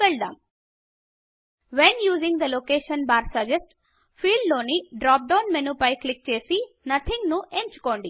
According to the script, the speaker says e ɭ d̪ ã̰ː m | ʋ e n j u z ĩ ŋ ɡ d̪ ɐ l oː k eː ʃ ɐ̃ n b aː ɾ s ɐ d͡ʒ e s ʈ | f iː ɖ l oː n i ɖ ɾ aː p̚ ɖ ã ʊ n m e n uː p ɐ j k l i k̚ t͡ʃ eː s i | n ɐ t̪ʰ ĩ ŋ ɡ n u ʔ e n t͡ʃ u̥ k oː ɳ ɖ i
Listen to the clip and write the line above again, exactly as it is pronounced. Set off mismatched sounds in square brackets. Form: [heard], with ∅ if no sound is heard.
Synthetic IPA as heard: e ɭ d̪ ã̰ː m | ʋ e n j [uː] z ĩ ŋ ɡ d̪ ɐ l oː k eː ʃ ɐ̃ n b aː ɾ s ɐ d͡ʒ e s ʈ | f iː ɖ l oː n i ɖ ɾ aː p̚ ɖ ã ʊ n m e n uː p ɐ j k l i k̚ t͡ʃ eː s i | n ɐ t̪ʰ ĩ ŋ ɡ n u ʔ e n t͡ʃ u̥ k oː ɳ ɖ i